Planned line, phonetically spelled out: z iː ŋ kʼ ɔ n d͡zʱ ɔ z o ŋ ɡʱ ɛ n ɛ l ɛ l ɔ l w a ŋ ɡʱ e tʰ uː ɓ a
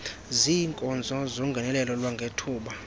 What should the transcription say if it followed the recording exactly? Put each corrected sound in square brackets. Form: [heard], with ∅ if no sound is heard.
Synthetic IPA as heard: z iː ŋ kʼ ɔ n d͡zʱ ɔ z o ŋ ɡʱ ɛ n ɛ l ɛ l ɔ l w a ŋ ɡʱ e tʰ uː ɓ a